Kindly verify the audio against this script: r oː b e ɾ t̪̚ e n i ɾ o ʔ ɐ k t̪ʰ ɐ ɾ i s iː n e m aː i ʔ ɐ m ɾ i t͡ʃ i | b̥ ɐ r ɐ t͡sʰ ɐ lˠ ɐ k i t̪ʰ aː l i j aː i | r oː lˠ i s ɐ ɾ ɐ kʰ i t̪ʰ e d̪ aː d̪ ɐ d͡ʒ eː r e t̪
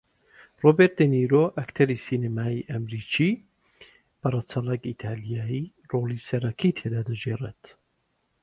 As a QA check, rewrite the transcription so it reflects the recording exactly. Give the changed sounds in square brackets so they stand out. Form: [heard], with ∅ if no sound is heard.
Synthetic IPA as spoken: r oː b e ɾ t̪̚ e n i ɾ o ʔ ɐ k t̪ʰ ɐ ɾ i s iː n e m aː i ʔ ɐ m ɾ i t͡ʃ i | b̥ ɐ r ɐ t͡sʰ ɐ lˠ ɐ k i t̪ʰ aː l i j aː i | r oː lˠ i s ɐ ɾ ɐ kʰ i t̪ʰ e d̪ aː d̪ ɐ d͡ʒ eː r e t̪